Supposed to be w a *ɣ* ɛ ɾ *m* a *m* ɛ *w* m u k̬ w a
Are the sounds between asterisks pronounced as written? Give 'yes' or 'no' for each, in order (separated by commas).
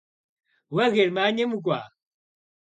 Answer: yes, yes, no, no